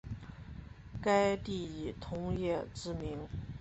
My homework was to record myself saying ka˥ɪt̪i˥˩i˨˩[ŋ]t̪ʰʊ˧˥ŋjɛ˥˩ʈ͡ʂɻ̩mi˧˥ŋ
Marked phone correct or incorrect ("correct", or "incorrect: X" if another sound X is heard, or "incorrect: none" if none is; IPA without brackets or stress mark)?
incorrect: none